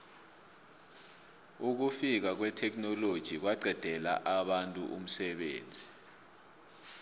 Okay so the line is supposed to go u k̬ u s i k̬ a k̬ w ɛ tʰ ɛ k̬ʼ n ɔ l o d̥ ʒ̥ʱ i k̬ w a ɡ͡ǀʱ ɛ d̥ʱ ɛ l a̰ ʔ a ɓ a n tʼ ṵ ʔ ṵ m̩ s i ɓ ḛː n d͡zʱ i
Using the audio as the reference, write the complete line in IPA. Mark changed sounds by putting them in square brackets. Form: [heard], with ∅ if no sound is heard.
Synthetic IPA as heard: u k̬ u [f] i k̬ a k̬ w ɛ tʰ ɛ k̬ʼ n ɔ l o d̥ ʒ̥ʱ i k̬ w a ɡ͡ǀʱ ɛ d̥ʱ ɛ l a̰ ʔ a ɓ a n tʼ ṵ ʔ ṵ m̩ s [ɛ] ɓ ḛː n d͡zʱ i